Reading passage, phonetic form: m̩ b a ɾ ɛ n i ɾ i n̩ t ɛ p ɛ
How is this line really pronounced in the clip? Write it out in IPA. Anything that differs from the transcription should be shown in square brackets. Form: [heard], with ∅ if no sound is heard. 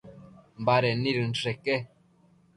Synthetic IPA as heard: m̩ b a ɾ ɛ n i ɾ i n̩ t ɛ [k] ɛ